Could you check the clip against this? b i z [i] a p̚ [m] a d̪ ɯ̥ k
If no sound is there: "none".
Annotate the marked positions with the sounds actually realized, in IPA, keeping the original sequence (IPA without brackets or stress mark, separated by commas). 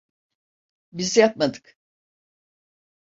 j, m